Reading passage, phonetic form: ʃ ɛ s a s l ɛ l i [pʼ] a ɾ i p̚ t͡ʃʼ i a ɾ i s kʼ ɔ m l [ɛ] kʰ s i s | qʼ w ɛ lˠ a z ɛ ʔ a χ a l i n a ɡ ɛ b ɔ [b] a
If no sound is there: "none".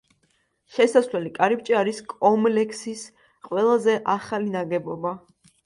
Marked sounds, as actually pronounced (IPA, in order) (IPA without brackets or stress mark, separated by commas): kʼ, ɛ, b